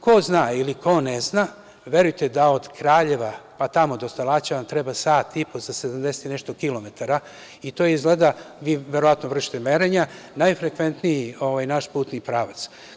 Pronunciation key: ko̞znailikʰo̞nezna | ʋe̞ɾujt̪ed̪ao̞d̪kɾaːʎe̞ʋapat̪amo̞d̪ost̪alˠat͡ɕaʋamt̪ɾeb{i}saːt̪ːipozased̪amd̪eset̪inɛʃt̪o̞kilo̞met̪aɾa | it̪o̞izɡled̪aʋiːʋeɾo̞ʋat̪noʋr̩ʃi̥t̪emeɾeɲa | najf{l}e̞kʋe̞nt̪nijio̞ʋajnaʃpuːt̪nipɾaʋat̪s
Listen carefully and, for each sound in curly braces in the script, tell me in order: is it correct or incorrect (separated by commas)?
incorrect, incorrect